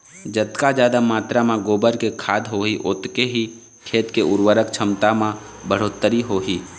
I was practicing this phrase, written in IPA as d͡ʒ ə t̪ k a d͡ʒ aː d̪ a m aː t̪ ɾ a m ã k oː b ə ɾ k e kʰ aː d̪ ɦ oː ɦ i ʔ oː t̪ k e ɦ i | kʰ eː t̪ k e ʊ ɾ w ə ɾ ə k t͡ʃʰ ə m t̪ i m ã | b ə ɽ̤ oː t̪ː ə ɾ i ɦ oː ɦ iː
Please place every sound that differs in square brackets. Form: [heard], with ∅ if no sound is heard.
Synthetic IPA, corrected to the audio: d͡ʒ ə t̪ k a d͡ʒ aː d̪ a m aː t̪ ɾ a m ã [ɡ] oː b ə ɾ k e kʰ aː d̪ ɦ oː ɦ i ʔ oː t̪ k e ɦ i | kʰ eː t̪ k e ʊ ɾ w ə ɾ ə k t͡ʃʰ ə m t̪ [a] m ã | b ə ɽ̤ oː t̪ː ə ɾ i ɦ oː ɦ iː